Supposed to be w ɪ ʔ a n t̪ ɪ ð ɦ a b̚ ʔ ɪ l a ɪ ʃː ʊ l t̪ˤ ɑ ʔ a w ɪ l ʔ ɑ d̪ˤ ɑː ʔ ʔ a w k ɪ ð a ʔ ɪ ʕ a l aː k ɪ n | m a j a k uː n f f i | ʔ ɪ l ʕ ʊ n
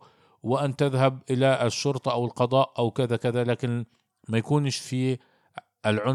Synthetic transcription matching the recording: w ɪ ʔ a n t̪ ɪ ð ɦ a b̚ ʔ ɪ l a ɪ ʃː ʊ ɾ t̪ˤ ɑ ʔ a w ɪ l q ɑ d̪ˤ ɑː ʔ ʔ a w k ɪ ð a k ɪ ð a l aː k ɪ n | m a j a k uː n ʃ f i | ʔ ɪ l ʕ ʊ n